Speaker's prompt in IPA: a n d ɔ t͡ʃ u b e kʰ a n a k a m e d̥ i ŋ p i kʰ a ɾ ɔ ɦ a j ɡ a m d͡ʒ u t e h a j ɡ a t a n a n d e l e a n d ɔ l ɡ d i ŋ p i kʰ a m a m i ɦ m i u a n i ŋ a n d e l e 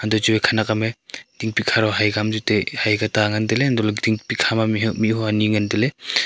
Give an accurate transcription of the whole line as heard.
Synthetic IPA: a n d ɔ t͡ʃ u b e kʰ a n a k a m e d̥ i ŋ p i kʰ a ɾ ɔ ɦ a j ɡ a m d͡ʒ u t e h a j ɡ a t a ŋ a n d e l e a n d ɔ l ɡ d i ŋ p i kʰ a m a m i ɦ m i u a n i ŋ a n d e l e